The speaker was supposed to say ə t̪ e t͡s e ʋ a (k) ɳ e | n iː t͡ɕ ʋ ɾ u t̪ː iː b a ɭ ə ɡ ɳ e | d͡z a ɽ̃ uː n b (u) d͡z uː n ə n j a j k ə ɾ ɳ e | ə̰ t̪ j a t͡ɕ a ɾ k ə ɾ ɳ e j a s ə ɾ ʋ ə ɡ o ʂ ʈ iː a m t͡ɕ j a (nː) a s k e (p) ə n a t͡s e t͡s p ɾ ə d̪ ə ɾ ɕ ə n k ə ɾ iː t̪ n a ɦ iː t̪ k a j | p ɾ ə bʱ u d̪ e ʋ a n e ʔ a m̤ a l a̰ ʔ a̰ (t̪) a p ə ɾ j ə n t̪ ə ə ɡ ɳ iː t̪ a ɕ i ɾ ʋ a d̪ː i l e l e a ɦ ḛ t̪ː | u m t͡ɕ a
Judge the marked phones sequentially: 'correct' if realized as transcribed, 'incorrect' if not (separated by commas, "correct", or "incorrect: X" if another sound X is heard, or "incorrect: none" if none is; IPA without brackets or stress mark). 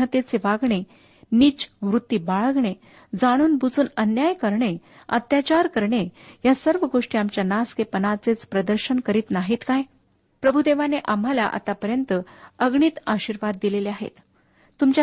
incorrect: ɡ, correct, incorrect: n, correct, correct